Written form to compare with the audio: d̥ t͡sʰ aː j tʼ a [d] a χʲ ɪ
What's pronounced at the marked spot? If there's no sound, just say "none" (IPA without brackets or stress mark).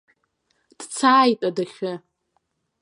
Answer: d